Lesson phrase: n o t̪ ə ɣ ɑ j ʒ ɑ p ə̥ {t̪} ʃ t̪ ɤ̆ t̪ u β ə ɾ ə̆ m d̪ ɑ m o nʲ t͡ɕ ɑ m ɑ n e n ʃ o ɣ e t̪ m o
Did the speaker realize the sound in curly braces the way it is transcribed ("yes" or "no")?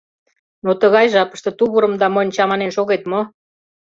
no